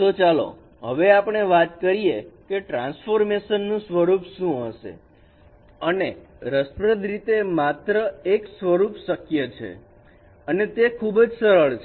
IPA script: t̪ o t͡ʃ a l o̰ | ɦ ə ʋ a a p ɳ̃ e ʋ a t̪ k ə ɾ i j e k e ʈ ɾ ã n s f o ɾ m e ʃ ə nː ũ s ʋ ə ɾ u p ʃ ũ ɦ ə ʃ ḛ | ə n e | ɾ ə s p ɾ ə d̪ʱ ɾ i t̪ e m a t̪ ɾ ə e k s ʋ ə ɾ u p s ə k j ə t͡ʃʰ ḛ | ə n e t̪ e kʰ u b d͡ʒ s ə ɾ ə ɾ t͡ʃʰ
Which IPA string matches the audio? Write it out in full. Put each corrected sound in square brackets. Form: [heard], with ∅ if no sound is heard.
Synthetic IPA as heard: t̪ o t͡ʃ a l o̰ | ɦ ə ʋ [e] a p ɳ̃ e ʋ a t̪ k ə ɾ i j e k e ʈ ɾ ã n s f o ɾ m e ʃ ə nː ũ s ʋ ə ɾ u p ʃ ũ ɦ ə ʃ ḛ | ə n e | ɾ ə s p ɾ ə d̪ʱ ɾ i t̪ e m a t̪ ɾ ə e k s ʋ ə ɾ u p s ə k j ə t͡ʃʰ ḛ | ə n e t̪ e kʰ u b d͡ʒ s ə ɾ ə [ɭ] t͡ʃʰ